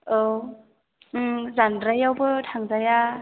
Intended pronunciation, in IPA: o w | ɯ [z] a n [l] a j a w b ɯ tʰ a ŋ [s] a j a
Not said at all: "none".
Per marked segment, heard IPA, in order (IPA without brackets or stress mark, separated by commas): z, ɾ, z